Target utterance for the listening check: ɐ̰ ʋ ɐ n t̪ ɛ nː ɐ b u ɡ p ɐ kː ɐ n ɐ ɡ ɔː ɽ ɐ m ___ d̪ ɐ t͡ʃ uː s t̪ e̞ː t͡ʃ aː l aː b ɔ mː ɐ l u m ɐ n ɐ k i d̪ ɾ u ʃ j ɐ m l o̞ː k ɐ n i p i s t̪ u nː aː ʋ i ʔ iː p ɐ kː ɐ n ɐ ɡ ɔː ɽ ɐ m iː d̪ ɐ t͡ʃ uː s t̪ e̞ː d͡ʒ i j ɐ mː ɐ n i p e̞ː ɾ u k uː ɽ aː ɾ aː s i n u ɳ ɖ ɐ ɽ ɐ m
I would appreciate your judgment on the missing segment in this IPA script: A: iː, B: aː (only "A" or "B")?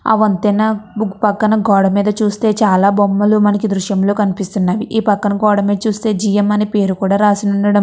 A